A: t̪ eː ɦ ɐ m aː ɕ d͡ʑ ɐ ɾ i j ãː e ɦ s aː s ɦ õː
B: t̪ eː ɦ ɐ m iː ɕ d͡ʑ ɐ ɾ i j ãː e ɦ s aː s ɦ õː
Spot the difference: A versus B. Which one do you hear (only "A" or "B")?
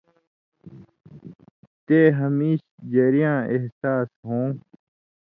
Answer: B